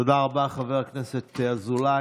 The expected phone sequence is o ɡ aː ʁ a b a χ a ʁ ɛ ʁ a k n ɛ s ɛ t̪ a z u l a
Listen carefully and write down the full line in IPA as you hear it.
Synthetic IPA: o d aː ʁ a b a χ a v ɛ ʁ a k n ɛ s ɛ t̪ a z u l a